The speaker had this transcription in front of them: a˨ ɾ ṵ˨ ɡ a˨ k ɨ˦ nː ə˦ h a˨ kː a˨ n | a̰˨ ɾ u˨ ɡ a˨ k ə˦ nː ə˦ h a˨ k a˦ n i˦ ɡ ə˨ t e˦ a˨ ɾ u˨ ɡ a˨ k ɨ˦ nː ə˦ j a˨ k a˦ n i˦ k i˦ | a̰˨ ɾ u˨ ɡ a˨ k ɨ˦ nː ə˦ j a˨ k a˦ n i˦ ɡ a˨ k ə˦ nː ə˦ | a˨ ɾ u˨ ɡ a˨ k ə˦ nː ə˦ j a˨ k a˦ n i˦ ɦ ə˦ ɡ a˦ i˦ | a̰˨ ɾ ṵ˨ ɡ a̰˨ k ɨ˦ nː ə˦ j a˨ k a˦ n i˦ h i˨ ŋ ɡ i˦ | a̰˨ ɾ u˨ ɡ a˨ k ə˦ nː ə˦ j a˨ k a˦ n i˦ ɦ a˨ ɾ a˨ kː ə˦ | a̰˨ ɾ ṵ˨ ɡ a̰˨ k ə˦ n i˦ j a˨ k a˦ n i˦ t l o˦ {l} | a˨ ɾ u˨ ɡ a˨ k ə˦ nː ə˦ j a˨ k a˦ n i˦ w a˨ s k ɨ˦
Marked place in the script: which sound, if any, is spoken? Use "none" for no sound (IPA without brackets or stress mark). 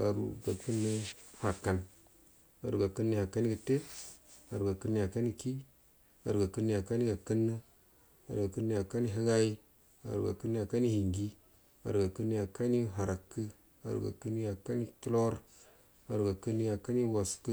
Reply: ɾ